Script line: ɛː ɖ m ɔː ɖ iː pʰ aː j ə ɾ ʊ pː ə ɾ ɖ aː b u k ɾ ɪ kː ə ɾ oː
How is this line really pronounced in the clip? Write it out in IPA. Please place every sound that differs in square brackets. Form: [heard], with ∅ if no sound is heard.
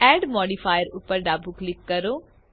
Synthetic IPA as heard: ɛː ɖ m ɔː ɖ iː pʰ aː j ə ɾ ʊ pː ə ɾ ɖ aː b u k [l] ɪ kː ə ɾ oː